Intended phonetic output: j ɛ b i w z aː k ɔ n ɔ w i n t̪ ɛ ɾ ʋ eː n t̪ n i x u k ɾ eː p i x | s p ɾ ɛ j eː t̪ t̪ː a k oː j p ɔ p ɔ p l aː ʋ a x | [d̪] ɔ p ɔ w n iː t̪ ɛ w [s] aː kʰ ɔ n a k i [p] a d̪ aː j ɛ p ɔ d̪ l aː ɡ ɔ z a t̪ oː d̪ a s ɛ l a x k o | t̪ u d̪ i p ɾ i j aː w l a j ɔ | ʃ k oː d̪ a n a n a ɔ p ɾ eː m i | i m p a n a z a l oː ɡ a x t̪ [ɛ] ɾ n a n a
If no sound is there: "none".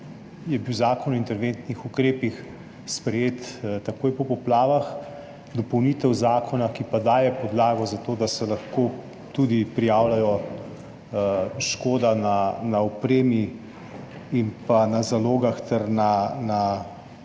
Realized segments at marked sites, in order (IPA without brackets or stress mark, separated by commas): d̪, z, p, ɛ